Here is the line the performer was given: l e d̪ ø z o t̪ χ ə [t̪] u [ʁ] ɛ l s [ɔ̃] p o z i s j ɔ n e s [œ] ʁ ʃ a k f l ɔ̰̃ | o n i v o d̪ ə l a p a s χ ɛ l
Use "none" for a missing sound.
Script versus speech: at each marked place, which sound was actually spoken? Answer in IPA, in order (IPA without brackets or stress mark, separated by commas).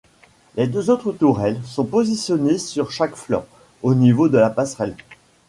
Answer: t̪, ʁ, ɔ̃, y